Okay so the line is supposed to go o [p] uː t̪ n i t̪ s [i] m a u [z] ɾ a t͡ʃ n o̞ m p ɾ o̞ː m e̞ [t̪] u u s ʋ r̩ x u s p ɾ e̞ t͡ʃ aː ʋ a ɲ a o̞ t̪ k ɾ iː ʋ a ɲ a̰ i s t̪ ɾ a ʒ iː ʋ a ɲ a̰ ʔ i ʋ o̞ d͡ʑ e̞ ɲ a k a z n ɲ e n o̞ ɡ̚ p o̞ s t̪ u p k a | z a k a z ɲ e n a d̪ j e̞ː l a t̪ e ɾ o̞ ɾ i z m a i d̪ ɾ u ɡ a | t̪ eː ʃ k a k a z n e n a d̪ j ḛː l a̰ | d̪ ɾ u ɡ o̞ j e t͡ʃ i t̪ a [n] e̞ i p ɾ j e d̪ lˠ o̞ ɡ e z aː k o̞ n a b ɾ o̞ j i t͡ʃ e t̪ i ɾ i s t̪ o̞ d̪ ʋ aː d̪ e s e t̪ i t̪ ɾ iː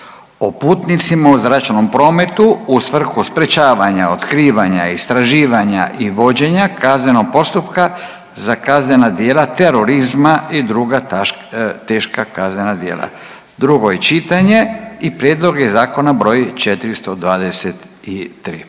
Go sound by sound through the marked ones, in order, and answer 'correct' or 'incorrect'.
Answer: correct, correct, correct, correct, incorrect: ɲ

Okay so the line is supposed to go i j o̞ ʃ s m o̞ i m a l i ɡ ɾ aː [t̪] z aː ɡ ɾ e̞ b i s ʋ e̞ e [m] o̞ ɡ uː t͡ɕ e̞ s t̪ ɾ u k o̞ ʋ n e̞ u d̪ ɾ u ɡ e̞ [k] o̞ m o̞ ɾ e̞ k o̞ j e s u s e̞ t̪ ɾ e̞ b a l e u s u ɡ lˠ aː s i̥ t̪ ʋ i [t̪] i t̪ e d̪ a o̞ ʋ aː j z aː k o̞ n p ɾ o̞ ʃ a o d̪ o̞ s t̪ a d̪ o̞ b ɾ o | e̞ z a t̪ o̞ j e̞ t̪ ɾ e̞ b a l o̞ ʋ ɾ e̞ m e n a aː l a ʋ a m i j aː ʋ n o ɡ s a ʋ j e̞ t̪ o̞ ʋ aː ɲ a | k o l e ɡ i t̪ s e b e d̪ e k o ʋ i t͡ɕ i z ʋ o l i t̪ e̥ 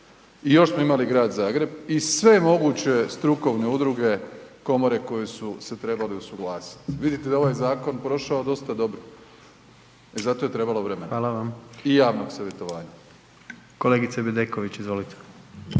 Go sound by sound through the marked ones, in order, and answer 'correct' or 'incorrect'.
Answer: incorrect: d̪, correct, correct, incorrect: d̪

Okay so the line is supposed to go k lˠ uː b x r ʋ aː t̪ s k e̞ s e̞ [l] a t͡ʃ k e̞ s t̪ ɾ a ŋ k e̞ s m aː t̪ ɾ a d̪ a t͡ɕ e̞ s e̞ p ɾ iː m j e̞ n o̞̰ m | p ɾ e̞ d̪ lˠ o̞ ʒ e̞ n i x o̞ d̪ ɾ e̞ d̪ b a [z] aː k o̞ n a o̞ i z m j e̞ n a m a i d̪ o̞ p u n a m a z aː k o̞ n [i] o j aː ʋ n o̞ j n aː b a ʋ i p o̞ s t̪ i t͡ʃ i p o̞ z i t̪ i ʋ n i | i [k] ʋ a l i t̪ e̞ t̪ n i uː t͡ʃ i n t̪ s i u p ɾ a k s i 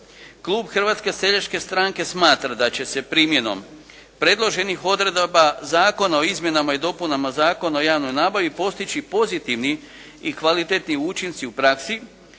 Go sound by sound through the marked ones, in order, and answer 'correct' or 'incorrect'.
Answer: incorrect: ʎ, correct, incorrect: a, correct

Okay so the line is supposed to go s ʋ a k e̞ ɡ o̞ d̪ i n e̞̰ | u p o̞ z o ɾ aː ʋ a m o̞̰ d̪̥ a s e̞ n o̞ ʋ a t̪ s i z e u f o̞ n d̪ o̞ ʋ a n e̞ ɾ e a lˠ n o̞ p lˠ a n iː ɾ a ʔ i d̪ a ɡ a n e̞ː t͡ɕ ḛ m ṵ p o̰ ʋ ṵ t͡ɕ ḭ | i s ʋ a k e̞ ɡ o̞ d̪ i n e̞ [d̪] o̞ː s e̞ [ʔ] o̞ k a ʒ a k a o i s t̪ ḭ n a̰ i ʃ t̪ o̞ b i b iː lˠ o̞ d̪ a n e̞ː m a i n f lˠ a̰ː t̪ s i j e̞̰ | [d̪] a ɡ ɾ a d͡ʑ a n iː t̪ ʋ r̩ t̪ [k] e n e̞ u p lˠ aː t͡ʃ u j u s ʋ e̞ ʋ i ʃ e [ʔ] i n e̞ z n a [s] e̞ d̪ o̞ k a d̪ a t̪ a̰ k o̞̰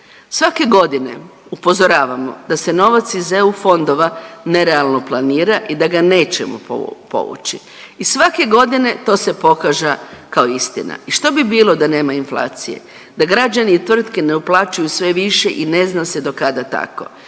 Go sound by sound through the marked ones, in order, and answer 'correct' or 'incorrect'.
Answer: incorrect: t̪, incorrect: p, correct, correct, correct, correct

